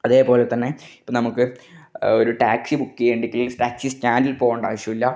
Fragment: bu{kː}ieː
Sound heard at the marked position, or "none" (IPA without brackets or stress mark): kː